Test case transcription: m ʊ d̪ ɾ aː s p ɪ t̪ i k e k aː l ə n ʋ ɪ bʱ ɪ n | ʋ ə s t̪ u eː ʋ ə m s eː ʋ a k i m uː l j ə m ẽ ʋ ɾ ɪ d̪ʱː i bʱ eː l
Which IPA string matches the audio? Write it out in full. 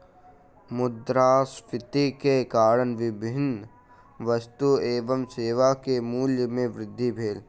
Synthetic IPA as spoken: m ʊ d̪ ɾ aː s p ɪ t̪ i k e k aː ɾ ə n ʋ ɪ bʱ ɪ n | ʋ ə s t̪ u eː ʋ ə m s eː ʋ a k e m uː l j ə m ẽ ʋ ɾ ɪ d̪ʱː i bʱ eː l